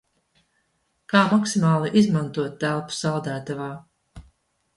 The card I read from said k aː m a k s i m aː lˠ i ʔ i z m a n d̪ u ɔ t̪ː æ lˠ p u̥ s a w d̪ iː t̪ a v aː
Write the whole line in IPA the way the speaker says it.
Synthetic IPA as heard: k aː m a k s i m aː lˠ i ʔ i z m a n t̪ u ɔ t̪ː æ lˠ p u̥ s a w d̪ æː t̪ a v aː